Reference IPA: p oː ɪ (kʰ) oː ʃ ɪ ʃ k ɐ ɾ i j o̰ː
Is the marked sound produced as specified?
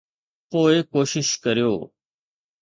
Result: no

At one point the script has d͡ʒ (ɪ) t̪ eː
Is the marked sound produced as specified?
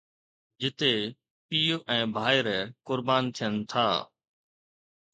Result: yes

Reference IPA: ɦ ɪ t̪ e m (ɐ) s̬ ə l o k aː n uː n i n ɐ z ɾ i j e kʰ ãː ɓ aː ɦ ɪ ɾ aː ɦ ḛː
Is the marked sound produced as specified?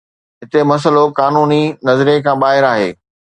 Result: yes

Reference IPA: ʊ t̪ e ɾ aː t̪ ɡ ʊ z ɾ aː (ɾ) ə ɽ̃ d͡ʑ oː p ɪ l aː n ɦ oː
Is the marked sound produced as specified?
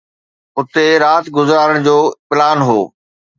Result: yes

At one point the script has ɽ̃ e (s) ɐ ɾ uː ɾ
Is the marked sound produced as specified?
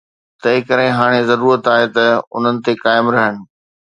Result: no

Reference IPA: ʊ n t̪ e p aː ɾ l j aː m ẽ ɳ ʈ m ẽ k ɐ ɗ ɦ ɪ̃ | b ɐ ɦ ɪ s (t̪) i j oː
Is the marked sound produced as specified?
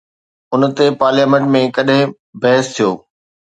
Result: no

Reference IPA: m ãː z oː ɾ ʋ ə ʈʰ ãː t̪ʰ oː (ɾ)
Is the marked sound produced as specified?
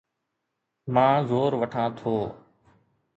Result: no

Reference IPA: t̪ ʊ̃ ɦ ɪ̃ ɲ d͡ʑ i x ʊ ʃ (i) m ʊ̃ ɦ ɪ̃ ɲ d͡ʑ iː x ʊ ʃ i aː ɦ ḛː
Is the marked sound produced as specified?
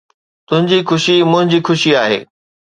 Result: yes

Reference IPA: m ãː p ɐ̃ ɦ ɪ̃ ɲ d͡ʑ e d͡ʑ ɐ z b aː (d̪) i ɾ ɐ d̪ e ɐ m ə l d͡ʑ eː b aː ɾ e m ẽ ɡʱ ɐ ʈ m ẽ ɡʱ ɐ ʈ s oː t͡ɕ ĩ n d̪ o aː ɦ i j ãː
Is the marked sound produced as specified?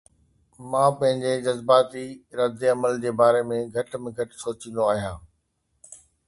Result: no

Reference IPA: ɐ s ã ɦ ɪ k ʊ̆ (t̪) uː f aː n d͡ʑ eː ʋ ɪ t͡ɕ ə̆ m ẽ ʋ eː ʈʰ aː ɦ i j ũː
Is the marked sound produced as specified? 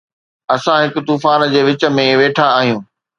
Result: yes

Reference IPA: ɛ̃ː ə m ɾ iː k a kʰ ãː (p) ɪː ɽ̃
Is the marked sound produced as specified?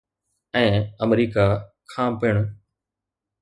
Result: yes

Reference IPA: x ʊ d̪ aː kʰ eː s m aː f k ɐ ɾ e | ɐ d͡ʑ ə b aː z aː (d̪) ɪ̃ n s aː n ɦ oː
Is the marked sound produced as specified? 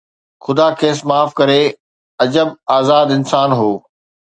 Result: yes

